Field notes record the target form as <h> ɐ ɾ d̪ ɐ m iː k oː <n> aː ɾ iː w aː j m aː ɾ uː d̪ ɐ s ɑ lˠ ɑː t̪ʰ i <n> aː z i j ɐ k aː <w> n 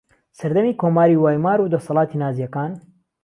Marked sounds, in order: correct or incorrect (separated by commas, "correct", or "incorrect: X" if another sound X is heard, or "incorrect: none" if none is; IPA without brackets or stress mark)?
incorrect: s, incorrect: m, correct, incorrect: none